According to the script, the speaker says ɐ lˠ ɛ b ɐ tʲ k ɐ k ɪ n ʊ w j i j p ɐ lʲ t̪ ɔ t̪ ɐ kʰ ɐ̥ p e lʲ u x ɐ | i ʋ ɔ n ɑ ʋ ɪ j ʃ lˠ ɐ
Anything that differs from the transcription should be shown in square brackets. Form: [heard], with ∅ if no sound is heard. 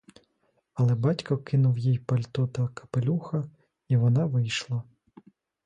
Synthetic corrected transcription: ɐ lˠ ɛ b [ɑ] tʲ k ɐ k ɪ n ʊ w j i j p ɐ lʲ t̪ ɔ t̪ ɐ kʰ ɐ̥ p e lʲ u x ɐ | i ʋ ɔ n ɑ ʋ ɪ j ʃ lˠ ɐ